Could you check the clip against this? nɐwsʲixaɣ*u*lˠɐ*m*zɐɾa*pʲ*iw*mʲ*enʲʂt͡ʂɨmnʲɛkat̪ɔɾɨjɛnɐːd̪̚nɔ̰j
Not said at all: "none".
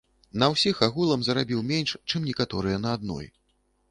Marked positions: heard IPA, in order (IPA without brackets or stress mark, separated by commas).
u, m, bʲ, mʲ